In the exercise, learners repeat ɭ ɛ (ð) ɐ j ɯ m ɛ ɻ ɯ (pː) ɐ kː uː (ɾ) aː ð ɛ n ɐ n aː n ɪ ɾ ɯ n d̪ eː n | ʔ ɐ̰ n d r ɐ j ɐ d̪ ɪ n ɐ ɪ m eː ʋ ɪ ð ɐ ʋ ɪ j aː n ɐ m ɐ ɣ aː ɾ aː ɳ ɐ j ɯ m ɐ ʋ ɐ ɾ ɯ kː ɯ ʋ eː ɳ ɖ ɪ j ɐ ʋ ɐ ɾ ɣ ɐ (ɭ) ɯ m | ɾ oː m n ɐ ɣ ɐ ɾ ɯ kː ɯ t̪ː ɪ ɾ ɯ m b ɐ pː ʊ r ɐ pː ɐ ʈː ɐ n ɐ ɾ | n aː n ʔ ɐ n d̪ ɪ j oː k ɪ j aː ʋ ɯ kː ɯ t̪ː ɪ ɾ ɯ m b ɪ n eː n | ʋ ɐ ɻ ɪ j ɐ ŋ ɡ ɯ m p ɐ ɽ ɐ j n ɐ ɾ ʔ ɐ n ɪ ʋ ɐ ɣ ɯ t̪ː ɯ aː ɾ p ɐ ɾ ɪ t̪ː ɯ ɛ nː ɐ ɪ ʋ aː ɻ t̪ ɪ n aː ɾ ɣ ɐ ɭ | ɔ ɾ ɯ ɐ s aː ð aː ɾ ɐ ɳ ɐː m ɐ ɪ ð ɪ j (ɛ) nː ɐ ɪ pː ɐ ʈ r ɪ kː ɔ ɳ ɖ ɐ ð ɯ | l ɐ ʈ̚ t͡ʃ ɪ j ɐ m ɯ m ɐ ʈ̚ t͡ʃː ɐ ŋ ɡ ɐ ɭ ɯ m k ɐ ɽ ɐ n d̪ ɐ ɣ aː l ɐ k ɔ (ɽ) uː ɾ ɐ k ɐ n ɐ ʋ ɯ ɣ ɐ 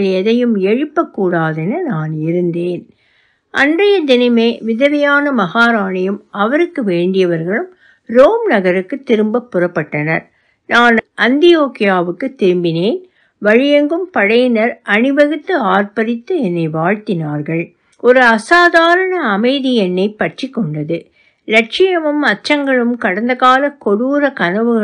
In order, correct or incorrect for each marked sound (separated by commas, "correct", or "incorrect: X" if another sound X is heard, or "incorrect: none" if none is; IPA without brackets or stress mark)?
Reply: correct, correct, incorrect: ɽ, correct, correct, correct